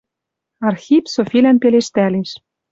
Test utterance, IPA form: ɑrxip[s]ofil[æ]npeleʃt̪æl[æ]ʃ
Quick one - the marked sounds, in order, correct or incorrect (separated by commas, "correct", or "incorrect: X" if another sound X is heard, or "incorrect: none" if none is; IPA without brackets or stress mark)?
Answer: correct, correct, incorrect: e